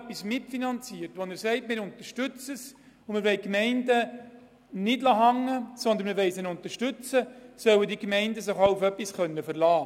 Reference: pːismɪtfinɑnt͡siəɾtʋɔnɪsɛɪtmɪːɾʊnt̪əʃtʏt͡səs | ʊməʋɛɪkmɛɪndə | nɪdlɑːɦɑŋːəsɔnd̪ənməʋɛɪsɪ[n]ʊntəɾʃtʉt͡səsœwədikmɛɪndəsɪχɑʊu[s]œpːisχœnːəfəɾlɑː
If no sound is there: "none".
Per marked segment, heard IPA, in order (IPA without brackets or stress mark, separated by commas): n, f